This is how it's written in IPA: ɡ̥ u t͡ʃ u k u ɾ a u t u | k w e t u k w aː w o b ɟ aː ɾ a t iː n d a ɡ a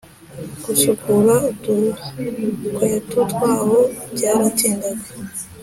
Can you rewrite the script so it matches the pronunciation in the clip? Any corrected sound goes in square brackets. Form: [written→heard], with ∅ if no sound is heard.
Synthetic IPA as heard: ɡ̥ u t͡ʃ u k u ɾ a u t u | k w e t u [k→t] w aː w o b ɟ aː ɾ a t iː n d a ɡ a